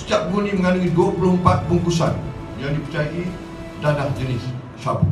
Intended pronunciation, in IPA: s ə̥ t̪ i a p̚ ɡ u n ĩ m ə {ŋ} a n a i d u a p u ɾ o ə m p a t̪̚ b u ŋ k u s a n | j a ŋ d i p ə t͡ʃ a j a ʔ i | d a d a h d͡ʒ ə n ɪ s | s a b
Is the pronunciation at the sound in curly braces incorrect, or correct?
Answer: correct